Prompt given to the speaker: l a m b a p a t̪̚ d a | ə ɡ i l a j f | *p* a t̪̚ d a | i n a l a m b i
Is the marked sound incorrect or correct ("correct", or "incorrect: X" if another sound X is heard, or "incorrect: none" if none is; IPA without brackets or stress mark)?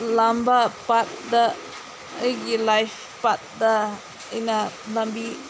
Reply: correct